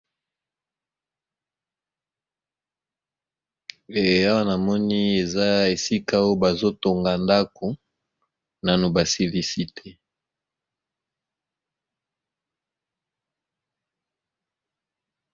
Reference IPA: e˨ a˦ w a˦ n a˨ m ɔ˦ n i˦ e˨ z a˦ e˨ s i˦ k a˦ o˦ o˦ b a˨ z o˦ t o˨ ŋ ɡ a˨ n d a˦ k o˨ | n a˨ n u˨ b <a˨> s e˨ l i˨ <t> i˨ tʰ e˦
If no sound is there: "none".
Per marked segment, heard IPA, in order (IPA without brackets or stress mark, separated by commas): a˨, s